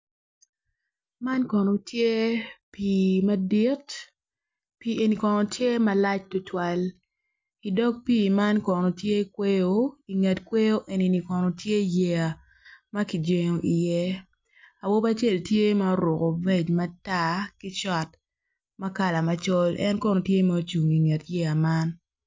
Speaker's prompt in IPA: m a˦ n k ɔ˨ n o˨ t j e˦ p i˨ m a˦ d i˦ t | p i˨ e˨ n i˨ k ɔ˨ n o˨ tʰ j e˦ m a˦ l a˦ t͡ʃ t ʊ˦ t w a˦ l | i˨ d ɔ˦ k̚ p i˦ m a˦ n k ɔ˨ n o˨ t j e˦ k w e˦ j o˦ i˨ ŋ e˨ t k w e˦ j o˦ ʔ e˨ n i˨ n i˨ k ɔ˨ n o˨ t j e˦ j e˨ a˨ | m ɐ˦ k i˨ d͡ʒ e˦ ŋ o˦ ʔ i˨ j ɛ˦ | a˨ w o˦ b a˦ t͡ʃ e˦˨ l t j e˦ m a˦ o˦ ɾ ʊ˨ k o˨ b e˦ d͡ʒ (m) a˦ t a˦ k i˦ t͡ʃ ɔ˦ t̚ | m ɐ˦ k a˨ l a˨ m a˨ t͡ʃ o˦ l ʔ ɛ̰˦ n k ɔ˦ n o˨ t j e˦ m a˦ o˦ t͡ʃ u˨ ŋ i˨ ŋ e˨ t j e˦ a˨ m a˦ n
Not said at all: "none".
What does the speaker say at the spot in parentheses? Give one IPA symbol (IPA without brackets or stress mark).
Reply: m